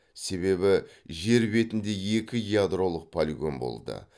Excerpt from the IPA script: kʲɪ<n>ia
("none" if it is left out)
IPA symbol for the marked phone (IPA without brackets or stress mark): none